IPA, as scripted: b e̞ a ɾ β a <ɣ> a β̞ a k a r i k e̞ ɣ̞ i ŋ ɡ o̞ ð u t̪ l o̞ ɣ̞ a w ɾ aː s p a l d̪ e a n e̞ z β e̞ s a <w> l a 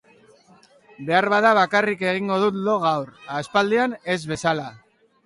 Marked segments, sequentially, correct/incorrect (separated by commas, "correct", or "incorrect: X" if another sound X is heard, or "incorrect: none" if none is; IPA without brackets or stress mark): incorrect: ð, incorrect: none